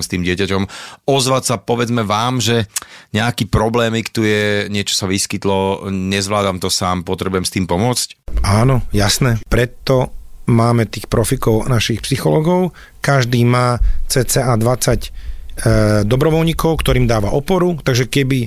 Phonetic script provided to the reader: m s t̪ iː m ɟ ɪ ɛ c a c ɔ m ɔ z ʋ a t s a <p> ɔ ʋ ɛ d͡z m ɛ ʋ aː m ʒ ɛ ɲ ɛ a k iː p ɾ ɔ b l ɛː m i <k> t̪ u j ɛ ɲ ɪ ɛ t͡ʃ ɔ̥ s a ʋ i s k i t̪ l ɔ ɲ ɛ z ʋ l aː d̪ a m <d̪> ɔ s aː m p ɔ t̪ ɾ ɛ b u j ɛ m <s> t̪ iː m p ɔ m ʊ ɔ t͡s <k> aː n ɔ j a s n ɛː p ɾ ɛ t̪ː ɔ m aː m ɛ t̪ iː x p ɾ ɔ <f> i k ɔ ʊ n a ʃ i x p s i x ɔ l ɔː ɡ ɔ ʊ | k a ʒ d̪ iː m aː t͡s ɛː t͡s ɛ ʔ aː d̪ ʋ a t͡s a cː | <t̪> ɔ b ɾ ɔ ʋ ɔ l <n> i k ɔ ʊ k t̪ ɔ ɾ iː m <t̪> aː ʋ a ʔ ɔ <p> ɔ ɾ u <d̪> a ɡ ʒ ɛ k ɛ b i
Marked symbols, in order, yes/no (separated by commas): yes, yes, no, yes, no, yes, no, no, no, yes, no